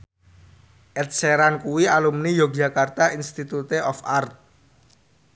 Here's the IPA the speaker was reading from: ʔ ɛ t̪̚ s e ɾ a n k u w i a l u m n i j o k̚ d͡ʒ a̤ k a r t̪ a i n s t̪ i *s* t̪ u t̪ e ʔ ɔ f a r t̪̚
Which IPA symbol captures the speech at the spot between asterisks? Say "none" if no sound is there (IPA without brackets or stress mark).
none